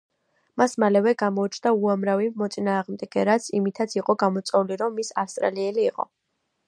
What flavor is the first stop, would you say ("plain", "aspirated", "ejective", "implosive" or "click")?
plain